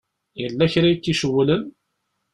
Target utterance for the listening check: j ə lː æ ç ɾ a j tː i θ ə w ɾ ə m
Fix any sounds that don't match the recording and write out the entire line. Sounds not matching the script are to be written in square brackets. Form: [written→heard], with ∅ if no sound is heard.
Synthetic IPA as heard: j ə lː æ ç ɾ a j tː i [θ→ʃ] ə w [ɾ→l] ə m